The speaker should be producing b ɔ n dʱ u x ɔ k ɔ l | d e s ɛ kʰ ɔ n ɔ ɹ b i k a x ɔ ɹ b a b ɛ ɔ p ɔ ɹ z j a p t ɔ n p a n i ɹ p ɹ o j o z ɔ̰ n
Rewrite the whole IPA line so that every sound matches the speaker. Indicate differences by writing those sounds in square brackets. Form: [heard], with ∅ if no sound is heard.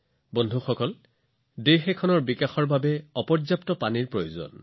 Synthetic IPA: b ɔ n dʱ u x ɔ k ɔ l | d e [x] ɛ kʰ ɔ n ɔ ɹ b i k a x ɔ ɹ b a b ɛ ɔ p ɔ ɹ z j a p t ɔ [∅] p a n i ɹ p ɹ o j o z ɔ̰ n